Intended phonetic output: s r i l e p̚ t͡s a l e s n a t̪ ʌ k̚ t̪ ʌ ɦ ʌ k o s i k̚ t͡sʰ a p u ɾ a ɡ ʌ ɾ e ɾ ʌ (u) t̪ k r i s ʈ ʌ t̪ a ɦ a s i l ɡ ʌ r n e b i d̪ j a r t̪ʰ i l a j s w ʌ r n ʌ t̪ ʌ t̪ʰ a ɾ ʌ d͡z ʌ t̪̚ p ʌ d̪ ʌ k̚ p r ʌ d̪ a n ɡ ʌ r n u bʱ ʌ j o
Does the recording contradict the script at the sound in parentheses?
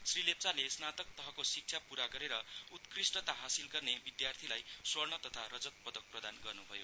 no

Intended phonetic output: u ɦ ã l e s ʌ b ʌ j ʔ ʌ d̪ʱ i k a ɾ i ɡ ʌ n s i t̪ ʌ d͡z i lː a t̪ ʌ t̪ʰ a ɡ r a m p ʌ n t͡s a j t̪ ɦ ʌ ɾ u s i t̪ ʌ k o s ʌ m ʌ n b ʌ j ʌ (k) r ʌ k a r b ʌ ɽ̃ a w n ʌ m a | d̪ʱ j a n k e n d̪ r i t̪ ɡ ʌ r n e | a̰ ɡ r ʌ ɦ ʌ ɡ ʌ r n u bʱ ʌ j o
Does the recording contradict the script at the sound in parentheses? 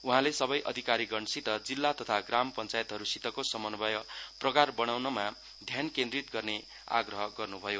yes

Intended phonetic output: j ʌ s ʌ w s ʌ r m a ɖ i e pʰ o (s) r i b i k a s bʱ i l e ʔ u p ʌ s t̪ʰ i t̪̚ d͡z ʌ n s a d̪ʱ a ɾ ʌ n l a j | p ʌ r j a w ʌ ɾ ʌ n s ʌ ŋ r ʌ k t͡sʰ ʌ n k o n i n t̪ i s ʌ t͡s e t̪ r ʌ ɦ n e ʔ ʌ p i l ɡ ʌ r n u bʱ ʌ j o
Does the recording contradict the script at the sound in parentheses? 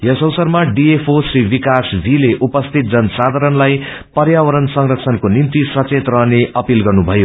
no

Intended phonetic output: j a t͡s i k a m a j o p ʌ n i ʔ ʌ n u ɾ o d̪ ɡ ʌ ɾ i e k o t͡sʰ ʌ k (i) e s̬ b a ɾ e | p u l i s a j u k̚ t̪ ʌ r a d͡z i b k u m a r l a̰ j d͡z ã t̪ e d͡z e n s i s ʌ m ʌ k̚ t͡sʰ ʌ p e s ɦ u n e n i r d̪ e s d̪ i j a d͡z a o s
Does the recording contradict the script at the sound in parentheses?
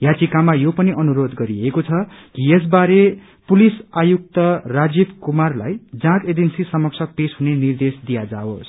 no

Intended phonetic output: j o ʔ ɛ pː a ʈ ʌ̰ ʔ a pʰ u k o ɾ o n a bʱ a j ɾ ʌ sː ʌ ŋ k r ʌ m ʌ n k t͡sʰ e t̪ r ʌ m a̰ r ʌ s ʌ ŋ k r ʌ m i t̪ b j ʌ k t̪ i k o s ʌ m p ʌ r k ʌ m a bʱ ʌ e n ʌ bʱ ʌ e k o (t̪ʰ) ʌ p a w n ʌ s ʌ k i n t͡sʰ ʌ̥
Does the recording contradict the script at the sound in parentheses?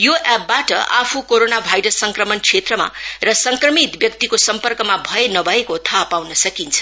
no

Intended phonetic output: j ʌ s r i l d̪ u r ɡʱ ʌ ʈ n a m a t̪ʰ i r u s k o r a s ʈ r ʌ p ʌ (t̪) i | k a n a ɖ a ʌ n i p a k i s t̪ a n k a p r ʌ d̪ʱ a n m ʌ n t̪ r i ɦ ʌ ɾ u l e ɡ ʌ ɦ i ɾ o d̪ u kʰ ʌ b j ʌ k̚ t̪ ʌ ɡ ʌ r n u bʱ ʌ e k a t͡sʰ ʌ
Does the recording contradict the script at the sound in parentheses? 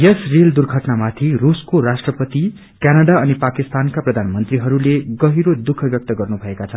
no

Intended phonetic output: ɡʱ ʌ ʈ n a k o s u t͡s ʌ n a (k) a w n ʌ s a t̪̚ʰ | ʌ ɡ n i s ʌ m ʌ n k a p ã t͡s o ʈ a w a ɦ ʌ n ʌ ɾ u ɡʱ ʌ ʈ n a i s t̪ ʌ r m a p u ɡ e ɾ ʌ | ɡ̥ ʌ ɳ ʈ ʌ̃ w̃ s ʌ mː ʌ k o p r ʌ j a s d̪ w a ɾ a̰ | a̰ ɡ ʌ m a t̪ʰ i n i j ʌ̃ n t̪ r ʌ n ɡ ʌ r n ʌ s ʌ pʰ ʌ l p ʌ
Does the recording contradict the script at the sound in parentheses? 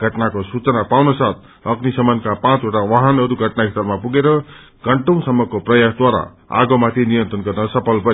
yes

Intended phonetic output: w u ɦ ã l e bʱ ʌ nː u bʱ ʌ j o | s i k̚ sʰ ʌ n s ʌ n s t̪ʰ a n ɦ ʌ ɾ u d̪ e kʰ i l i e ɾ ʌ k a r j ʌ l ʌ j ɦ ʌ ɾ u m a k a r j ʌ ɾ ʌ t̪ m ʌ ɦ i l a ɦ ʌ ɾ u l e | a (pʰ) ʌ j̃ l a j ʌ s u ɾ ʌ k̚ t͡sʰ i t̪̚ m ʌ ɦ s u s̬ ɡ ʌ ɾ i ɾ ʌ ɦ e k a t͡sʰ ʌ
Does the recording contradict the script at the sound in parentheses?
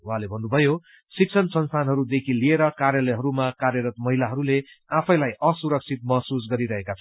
no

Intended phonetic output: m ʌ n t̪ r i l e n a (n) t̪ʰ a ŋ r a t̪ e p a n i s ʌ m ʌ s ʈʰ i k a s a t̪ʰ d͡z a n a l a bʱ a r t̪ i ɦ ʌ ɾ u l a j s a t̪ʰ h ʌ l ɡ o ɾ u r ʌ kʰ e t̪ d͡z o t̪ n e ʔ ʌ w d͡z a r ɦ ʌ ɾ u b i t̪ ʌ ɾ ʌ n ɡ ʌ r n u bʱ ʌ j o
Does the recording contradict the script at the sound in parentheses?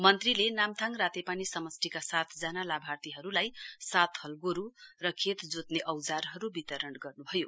yes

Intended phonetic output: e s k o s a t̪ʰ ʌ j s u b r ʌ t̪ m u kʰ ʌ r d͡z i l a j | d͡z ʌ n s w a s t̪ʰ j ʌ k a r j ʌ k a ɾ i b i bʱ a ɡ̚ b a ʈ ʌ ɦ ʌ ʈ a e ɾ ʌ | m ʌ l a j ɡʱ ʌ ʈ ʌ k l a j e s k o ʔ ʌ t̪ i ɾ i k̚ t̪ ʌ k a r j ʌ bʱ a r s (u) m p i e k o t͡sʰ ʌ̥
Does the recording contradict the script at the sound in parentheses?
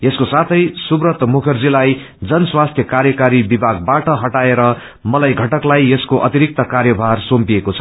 yes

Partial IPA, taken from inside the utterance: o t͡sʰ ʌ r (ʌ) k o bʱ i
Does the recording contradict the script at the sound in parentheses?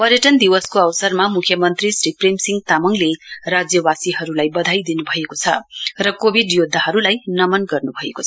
no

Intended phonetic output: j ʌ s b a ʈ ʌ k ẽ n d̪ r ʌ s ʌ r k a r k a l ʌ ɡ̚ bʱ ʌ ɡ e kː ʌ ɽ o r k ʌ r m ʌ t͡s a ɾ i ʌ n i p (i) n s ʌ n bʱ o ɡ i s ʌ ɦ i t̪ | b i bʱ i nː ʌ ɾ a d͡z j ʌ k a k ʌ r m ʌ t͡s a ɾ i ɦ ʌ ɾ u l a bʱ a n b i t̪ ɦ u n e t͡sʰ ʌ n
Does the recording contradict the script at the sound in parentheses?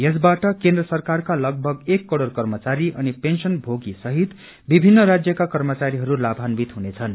yes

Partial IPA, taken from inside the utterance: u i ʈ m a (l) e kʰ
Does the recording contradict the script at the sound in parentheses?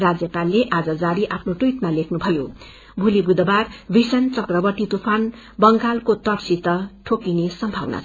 no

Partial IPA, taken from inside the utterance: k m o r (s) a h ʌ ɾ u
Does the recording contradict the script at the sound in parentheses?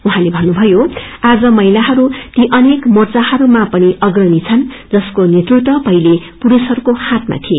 yes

